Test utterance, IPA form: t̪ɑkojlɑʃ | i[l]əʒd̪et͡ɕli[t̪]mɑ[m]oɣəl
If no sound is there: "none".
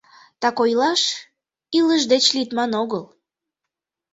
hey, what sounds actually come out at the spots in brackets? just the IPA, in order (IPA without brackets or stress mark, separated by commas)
l, t̪, n